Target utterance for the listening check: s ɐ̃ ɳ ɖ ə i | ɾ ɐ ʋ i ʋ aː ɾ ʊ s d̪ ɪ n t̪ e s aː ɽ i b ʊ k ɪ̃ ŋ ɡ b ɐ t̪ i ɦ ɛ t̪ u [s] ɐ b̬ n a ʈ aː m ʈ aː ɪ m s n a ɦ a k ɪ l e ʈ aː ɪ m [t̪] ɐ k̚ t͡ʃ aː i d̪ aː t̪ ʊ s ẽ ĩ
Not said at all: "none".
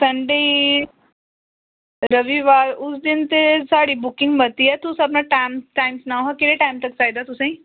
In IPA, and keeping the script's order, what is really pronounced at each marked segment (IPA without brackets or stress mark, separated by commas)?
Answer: s, t̪